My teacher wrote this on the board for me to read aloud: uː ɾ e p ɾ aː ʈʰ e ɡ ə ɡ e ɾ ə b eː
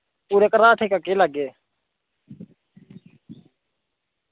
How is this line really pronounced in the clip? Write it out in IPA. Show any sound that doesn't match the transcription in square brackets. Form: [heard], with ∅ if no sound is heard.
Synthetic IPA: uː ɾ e [k] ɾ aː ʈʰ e [k] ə [k] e [l] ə [ɡ] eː